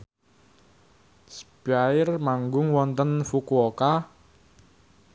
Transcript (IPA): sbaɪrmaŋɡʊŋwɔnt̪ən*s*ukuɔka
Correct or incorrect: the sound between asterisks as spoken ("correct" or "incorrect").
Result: incorrect